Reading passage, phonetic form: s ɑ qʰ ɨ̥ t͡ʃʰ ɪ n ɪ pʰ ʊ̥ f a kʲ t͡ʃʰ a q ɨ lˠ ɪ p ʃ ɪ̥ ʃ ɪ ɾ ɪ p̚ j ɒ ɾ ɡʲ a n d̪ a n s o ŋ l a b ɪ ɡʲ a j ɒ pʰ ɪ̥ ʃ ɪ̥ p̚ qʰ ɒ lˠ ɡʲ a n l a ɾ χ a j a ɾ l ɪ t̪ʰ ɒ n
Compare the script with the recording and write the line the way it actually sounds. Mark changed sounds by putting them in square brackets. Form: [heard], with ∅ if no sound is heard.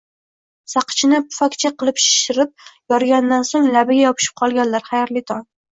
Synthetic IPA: s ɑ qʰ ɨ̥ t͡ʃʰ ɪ n ɪ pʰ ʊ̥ f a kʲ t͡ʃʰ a q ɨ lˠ ɪ p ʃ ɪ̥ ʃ ɪ ɾ ɪ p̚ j ɒ ɾ ɡʲ a n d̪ a n s o ŋ l a b ɪ ɡʲ a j ɒ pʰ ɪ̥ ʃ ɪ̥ p̚ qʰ ɒ lˠ ɡʲ a n l a ɾ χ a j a ɾ l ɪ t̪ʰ ɒ n